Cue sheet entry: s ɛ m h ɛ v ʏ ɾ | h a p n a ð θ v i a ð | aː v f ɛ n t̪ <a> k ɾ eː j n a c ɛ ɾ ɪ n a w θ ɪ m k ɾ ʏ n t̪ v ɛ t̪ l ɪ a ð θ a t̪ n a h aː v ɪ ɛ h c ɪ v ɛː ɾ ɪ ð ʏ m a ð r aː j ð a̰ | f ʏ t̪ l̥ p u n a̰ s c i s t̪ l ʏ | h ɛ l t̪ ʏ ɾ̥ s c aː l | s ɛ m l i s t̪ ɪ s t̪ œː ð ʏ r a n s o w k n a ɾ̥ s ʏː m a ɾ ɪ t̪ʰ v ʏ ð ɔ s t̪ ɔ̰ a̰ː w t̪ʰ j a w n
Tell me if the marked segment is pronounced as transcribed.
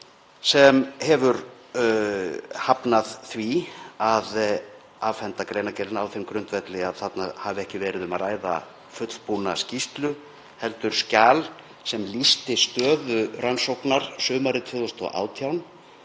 yes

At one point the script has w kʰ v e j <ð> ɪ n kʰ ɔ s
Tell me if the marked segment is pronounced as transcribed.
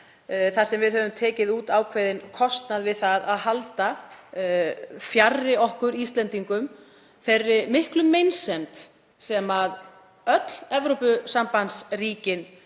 yes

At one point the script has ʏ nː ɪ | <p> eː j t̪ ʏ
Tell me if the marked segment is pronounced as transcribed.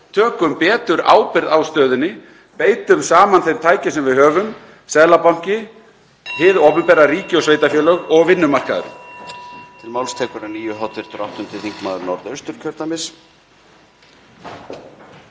yes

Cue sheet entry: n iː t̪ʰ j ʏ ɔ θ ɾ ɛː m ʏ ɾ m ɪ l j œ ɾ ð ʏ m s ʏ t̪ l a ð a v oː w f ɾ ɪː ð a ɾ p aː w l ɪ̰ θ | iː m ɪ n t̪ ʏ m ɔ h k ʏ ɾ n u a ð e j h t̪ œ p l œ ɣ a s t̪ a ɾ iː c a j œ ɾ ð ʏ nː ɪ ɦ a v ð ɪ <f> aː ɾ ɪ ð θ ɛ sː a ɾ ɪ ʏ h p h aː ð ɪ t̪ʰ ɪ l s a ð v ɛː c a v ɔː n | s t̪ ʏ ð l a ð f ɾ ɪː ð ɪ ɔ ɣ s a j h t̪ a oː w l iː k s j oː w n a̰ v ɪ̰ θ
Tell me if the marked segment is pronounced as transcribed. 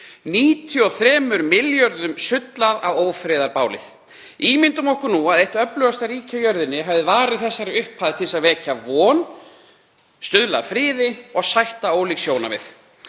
no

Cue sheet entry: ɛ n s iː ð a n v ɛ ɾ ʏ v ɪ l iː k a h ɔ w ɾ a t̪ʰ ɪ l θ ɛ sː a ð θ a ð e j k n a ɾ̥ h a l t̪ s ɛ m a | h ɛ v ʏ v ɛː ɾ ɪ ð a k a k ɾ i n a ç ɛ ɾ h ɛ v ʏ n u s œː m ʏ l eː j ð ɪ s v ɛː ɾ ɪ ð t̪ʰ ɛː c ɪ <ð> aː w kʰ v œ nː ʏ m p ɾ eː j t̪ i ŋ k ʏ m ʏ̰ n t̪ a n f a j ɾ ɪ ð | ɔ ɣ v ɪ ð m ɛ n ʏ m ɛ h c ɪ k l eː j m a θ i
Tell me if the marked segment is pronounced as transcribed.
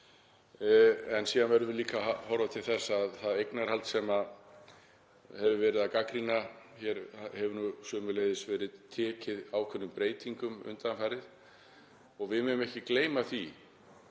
yes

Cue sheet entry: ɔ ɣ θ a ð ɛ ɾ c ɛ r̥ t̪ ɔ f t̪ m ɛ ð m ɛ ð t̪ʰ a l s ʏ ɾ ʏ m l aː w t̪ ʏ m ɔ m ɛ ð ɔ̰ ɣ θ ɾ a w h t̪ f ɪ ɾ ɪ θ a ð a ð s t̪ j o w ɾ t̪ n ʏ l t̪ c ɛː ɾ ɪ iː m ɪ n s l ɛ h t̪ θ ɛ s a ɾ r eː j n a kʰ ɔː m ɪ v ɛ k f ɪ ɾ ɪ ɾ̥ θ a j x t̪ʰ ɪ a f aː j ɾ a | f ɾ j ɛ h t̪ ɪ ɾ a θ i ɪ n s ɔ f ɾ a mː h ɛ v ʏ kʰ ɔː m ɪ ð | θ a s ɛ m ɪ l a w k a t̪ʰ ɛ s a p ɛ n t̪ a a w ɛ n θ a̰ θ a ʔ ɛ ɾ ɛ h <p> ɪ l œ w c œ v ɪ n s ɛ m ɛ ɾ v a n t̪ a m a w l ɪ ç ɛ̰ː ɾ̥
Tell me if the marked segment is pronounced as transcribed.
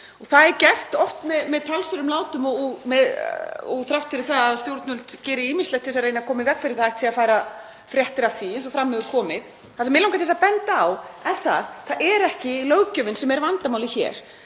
no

